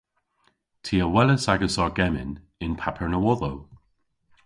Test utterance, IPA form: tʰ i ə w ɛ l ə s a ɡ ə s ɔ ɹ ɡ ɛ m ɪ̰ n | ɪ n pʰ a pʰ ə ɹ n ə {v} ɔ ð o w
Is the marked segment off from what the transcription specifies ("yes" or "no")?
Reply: yes